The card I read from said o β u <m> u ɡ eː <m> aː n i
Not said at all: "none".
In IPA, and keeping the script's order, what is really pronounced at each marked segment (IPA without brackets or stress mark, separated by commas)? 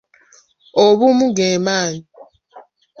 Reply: m, m